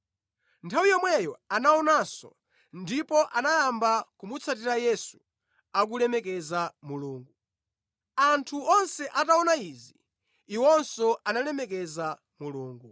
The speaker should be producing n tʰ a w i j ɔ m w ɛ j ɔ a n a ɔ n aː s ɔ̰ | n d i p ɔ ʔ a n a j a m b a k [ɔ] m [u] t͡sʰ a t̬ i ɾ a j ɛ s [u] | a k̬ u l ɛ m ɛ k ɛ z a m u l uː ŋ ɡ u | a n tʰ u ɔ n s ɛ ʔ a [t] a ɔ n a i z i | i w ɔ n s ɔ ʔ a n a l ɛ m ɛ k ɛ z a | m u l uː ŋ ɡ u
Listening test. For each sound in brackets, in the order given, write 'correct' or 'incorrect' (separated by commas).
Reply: incorrect, correct, correct, correct